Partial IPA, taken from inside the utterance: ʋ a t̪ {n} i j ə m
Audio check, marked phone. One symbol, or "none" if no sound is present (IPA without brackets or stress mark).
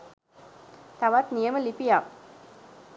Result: n